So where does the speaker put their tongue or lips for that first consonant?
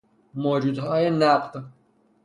lips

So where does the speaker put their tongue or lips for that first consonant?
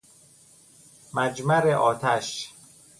lips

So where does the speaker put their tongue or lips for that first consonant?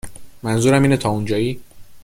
lips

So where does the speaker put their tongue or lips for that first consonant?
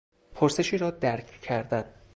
lips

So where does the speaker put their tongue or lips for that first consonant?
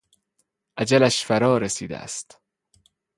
throat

